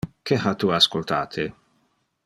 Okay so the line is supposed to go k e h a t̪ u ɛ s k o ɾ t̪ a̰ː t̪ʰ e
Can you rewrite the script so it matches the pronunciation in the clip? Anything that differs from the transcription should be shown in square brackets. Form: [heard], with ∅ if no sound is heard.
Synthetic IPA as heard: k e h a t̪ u [a] s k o [l] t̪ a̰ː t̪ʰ e